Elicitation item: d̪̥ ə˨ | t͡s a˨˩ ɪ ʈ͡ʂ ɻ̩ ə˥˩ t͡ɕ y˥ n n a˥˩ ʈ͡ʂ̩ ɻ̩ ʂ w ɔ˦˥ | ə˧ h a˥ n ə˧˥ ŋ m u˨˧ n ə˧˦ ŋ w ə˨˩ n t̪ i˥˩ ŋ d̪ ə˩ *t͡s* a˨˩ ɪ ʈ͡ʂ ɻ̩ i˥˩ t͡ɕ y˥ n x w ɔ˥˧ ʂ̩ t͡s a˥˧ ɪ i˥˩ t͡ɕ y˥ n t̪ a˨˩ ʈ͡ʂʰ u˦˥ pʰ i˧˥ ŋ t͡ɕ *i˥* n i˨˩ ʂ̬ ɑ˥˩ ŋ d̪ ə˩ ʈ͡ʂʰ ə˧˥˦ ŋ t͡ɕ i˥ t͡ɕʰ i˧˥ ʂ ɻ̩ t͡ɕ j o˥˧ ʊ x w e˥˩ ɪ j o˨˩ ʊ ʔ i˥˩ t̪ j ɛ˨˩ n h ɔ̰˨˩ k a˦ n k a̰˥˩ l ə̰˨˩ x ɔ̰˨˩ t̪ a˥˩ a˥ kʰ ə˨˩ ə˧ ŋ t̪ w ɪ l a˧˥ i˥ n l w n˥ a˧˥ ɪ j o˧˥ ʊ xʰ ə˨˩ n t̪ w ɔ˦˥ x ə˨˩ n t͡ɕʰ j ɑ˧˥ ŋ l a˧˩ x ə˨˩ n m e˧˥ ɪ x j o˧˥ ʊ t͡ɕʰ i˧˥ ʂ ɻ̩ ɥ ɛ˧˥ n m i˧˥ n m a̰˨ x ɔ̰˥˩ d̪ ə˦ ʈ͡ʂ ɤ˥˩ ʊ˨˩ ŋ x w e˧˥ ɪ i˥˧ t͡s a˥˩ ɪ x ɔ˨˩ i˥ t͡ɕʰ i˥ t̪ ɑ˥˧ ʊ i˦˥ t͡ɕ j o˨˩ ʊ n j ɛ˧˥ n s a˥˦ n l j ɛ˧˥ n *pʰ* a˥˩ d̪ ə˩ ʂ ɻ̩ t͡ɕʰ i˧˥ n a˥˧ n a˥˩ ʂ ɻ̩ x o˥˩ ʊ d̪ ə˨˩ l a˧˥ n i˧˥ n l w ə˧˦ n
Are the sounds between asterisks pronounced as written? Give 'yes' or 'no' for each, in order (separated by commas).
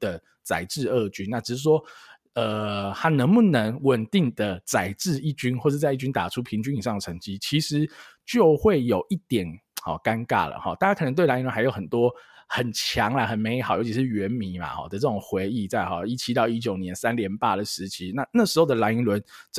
yes, no, no